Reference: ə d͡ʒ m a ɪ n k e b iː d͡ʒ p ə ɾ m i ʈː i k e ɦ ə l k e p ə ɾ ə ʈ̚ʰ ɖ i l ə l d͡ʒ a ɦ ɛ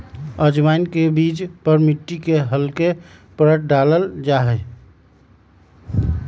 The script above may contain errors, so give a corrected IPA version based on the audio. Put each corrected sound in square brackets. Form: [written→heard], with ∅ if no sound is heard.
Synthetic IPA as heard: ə d͡ʒ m a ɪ n k e b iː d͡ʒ p ə ɾ m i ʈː i k e ɦ ə l k e p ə ɾ ə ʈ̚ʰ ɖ [i→a] l ə l d͡ʒ a ɦ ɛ